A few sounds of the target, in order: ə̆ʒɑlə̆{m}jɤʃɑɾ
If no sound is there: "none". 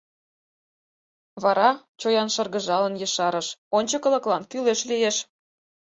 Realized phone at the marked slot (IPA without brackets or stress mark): n